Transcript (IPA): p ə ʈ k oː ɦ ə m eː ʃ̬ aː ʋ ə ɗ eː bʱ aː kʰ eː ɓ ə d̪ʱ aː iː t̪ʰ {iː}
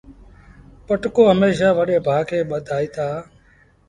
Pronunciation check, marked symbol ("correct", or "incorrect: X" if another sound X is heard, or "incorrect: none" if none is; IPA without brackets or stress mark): incorrect: aː